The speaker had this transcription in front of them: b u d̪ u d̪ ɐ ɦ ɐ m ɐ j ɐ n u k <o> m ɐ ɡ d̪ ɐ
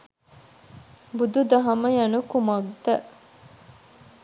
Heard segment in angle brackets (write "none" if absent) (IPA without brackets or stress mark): u